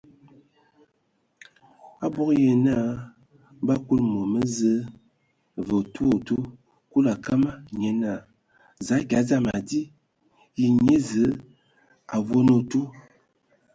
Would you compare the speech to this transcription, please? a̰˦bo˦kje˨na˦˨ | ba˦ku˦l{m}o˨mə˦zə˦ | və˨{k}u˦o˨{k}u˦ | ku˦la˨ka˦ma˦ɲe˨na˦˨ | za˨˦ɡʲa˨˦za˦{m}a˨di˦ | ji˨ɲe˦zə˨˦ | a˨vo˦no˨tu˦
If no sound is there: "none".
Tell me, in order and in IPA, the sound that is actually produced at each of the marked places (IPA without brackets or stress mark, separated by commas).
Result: m, t, t, m